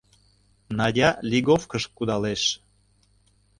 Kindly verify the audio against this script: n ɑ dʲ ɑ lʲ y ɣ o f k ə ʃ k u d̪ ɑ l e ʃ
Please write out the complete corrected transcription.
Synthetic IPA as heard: n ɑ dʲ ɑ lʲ i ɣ o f k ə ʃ k u d̪ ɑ l e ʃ